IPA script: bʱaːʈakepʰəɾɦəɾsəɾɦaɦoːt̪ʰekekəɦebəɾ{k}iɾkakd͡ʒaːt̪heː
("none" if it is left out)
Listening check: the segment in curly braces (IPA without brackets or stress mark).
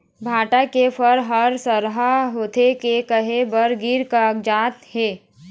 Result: ɡ